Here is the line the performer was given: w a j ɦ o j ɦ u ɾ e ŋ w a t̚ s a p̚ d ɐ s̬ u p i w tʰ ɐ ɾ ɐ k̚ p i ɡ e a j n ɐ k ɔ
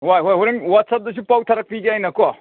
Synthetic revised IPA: w a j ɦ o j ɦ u ɾ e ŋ w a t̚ s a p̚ d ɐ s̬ u p a w tʰ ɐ ɾ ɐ k̚ p i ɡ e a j n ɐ k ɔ